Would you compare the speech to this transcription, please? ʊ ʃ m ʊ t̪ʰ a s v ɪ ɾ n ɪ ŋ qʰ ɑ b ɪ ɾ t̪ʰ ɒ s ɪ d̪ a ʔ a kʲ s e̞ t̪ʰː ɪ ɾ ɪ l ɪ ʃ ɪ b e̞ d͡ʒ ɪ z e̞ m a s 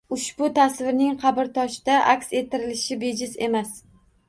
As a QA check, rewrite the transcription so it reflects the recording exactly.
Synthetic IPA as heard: ʊ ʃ b ʊ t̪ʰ a s v ɪ ɾ n ɪ ŋ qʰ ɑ b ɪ ɾ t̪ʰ ɒ ʃ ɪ d̪ a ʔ a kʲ s e̞ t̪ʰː ɪ ɾ ɪ l ɪ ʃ ɪ b e̞ d͡ʒ ɪ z e̞ m a s